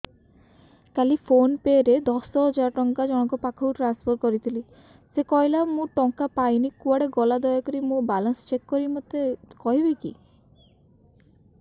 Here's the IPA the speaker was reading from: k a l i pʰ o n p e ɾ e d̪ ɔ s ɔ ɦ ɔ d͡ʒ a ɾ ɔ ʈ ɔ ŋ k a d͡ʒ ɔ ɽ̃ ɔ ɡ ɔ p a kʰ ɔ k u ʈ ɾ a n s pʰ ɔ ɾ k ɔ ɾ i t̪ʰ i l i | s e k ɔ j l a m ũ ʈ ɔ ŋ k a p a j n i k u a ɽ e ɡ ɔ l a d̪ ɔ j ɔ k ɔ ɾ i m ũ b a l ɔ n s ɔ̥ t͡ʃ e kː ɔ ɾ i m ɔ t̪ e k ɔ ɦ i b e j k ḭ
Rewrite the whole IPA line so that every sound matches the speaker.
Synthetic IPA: k a l i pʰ o n p e ɾ e d̪ ɔ s ɔ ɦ ɔ d͡ʒ a ɾ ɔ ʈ ɔ ŋ k a d͡ʒ ɔ ɽ̃ ɔ k ɔ p a kʰ ɔ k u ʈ ɾ a n s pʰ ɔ ɾ k ɔ ɾ i t̪ʰ i l i | s e k ɔ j l a m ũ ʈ ɔ ŋ k a p a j n i k u a ɽ e ɡ ɔ l a d̪ ɔ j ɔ k ɔ ɾ i m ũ b a l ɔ n s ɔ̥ t͡ʃ e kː ɔ ɾ i m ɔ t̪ e k ɔ ɦ i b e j k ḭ